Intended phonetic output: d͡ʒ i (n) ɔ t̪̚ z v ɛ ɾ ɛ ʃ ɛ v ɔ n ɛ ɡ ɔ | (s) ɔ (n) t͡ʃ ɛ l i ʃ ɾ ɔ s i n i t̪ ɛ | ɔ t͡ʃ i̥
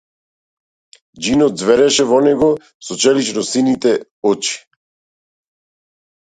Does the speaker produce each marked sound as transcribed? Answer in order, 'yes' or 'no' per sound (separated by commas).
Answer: yes, yes, no